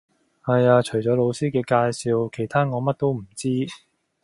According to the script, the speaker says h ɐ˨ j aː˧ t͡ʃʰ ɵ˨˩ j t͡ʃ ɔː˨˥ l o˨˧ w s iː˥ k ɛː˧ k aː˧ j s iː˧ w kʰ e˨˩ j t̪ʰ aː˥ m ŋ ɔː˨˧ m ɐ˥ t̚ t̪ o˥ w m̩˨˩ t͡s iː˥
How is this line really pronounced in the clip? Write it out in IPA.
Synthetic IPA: h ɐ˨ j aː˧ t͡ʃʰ ɵ˨˩ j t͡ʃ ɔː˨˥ l o˨˧ w s iː˥ k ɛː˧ k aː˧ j s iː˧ w kʰ e˨˩ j t̪ʰ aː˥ ŋ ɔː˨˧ m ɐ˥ t̚ t̪ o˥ w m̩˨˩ t͡s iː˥